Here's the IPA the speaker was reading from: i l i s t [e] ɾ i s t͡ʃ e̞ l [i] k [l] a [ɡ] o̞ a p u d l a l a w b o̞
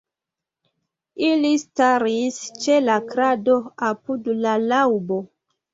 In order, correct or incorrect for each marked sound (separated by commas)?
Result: incorrect, incorrect, incorrect, incorrect